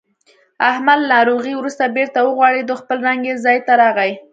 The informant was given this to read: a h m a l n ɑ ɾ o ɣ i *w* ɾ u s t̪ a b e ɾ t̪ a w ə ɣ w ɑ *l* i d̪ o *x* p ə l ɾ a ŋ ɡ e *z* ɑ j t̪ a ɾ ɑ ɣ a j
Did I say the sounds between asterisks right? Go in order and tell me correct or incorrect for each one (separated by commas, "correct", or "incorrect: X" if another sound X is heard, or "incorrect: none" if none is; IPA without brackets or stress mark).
correct, incorrect: ɽ, correct, correct